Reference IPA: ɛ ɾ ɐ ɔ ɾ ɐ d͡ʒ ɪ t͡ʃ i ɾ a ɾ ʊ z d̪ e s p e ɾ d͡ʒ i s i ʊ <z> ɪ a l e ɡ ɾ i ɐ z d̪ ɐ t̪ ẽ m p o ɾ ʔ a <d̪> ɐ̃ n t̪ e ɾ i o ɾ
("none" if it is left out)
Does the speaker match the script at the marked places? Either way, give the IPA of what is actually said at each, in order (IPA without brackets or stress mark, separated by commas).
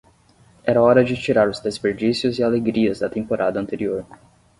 z, d̪